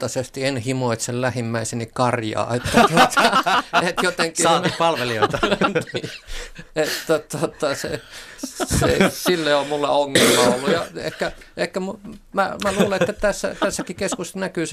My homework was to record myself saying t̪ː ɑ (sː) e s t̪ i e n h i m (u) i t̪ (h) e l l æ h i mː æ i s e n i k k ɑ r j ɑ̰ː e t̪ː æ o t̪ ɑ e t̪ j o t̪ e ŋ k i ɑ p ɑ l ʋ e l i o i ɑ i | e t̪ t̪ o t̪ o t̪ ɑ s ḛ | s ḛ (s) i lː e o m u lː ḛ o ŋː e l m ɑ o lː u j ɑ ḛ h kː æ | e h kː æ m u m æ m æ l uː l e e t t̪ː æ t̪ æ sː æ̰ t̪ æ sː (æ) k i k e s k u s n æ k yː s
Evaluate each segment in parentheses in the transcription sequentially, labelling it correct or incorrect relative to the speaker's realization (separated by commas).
incorrect, incorrect, incorrect, correct, correct